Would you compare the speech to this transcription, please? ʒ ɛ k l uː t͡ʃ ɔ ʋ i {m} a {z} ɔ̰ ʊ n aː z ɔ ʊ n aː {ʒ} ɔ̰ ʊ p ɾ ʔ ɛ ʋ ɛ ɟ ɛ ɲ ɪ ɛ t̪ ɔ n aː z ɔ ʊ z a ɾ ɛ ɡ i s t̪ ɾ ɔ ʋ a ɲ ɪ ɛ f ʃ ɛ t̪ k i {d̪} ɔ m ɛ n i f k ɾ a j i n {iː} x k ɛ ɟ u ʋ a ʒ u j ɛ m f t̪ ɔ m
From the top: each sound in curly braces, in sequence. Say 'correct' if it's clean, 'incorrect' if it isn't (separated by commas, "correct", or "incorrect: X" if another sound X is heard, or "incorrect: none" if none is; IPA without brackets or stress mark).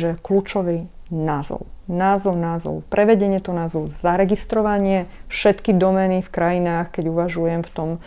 incorrect: n, correct, incorrect: z, correct, incorrect: aː